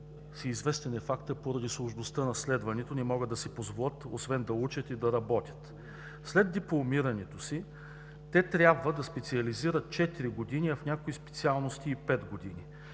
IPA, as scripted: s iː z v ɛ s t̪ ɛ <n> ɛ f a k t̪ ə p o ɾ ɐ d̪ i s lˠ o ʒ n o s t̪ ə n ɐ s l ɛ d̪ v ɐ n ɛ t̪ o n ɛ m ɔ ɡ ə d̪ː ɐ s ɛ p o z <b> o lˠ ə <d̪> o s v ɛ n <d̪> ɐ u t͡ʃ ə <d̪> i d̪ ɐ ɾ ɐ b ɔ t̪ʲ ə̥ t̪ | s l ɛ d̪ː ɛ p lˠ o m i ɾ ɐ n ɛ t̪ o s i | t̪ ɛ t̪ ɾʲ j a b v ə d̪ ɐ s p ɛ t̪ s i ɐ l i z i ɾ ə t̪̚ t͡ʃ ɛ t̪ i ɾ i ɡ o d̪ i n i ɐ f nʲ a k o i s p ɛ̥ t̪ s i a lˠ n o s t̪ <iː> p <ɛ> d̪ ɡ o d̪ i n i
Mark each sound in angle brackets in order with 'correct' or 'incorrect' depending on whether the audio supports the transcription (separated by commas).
correct, incorrect, incorrect, correct, incorrect, correct, correct